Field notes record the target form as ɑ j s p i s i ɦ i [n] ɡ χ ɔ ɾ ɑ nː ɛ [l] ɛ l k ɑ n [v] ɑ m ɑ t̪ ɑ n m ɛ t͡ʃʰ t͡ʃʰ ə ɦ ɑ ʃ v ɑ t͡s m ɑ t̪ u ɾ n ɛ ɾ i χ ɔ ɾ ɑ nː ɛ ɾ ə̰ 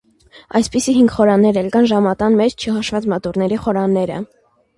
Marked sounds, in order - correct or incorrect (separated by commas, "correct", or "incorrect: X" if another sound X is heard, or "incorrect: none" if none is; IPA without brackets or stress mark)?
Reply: incorrect: ŋ, incorrect: ɾ, incorrect: ʒ